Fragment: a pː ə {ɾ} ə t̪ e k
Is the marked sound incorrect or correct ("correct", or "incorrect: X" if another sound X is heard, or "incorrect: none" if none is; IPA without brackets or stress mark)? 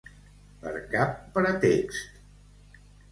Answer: correct